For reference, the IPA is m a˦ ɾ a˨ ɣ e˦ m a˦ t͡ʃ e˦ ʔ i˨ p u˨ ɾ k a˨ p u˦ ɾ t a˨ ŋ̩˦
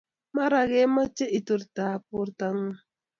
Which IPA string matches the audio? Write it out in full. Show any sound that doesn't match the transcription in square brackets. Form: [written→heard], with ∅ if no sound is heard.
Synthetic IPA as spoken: m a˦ ɾ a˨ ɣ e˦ m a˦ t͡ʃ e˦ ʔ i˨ [p→t] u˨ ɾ [k→t] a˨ p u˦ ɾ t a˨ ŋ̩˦